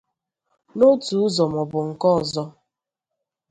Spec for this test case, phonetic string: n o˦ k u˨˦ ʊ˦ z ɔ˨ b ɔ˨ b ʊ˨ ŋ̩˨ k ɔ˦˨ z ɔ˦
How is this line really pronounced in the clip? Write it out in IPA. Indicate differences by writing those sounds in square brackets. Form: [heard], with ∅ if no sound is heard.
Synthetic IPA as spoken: n o˦ [t] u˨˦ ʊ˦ z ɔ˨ [m] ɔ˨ b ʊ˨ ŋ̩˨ k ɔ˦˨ z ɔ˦